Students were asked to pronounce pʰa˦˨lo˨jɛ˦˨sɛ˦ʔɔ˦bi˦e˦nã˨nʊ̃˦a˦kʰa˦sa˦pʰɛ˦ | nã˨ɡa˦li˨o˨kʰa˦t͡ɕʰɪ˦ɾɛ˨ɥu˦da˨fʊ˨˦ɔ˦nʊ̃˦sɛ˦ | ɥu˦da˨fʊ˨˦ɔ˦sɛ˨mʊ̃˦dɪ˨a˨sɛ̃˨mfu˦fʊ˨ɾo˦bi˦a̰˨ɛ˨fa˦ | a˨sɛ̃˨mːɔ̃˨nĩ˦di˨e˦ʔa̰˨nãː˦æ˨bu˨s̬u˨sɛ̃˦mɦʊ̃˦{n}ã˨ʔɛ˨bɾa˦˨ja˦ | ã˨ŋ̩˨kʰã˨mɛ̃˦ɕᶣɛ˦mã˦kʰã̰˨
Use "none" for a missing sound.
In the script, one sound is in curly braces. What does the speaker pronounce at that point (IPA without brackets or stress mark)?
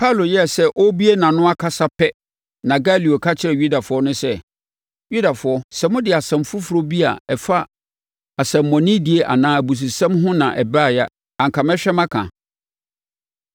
n